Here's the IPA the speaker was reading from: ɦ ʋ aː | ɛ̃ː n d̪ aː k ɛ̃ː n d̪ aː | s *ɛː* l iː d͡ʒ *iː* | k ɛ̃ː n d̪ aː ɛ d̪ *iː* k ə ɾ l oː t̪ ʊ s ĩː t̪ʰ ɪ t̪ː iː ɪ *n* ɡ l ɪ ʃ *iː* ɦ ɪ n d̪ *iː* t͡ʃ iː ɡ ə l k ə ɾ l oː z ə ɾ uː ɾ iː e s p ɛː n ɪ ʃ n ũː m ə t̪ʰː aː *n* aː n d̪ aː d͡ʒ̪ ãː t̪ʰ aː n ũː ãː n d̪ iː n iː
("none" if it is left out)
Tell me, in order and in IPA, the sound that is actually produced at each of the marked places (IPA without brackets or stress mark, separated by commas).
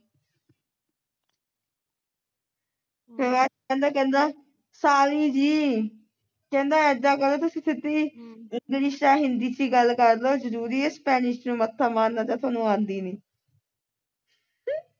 aː, iː, aː, ŋ, aː, iː, m